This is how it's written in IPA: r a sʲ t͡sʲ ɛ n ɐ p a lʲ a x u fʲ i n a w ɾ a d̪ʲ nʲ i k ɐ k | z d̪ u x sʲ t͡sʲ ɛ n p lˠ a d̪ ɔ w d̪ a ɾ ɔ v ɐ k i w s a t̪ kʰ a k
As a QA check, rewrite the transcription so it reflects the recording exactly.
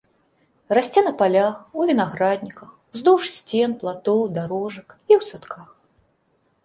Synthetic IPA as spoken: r a sʲ t͡sʲ ɛ n ɐ p a lʲ a x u vʲ i n a ɣ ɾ a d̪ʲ nʲ i k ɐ x | z d̪ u ʂ sʲ t͡sʲ ɛ n p lˠ a t̪ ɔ w d̪ a ɾ ɔ ʐ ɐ k i w s a t̪ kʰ a x

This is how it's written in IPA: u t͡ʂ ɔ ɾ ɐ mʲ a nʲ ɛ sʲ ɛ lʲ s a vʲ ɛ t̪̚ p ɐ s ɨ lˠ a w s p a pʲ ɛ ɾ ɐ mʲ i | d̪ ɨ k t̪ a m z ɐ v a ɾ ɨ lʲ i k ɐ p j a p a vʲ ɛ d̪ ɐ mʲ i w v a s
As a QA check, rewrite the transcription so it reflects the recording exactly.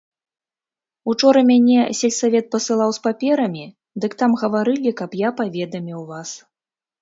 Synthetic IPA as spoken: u t͡ʂ ɔ ɾ ɐ mʲ a nʲ ɛ sʲ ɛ lʲ s a vʲ ɛ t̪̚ p ɐ s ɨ lˠ a w s p a pʲ ɛ ɾ ɐ mʲ i | d̪ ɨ k t̪ a m ɣ ɐ v a ɾ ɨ lʲ i k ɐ p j a p a vʲ ɛ d̪ ɐ mʲ i w v a s

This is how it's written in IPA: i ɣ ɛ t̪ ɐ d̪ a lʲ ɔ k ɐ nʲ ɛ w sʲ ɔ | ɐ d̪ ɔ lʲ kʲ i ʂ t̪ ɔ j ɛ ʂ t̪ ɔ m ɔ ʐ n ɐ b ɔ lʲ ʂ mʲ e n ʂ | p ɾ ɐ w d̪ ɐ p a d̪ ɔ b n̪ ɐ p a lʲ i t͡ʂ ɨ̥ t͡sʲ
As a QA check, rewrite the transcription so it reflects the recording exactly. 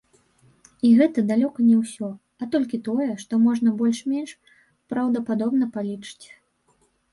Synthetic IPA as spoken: i ɣ ɛ t̪ ɐ d̪ a lʲ ɔ k ɐ nʲ ɛ w sʲ ɔ | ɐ t̪ ɔ lʲ kʲ i t̪ ɔ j ɛ ʂ t̪ ɔ m ɔ ʐ n ɐ b ɔ lʲ ʂ mʲ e n ʂ | p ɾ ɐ w d̪ ɐ p a d̪ ɔ b n̪ ɐ p a lʲ i t͡ʂ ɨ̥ t͡sʲ

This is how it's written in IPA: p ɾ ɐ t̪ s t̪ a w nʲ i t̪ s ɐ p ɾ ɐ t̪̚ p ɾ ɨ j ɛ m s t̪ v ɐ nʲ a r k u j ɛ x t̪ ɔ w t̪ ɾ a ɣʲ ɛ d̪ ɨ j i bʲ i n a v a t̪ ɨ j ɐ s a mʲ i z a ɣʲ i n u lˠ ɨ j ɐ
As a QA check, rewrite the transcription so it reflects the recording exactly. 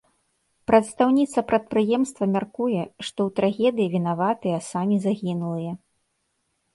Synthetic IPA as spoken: p ɾ ɐ t̪ s t̪ a w nʲ i t̪ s ɐ p ɾ ɐ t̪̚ p ɾ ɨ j ɛ m s t̪ v ɐ mʲ a r k u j ɛ ʂ t̪ ɔ w t̪ ɾ a ɣʲ ɛ d̪ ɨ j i vʲ i n a v a t̪ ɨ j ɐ s a mʲ i z a ɣʲ i n u lˠ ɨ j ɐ

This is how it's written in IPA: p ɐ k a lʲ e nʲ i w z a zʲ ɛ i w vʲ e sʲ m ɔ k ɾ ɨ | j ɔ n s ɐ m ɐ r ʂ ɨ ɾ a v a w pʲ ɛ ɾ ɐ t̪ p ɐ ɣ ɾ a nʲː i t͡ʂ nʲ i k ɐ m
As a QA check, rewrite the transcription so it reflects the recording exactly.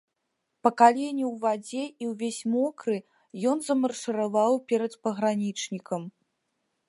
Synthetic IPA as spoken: p ɐ k a lʲ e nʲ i w v a d͡zʲ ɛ i w vʲ e sʲ m ɔ k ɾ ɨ | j ɔ n z ɐ m ɐ r ʂ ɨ ɾ a v a w pʲ ɛ ɾ ɐ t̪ p ɐ ɣ ɾ a nʲ i t͡ʂ nʲ i k ɐ m

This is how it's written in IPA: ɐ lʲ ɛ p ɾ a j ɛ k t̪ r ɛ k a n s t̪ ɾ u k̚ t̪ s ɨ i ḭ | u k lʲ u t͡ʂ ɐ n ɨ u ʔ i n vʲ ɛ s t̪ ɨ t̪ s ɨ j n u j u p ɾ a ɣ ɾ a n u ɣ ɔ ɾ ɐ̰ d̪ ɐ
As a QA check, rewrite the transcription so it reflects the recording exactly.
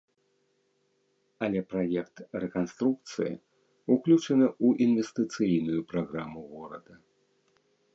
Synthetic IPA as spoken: ɐ lʲ ɛ p ɾ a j ɛ k t̪ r ɛ k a n s t̪ ɾ u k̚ t̪ s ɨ j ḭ | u k lʲ u t͡ʂ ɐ n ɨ u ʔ i n vʲ ɛ s t̪ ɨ t̪ s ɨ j n u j u p ɾ a ɣ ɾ a m u ɣ ɔ ɾ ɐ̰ d̪ ɐ

